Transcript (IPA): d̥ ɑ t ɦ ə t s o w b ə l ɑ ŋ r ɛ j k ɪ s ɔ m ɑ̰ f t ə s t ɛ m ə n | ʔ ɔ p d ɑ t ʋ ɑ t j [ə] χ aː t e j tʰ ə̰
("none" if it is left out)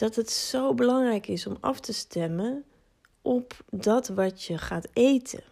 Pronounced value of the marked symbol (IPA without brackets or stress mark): ə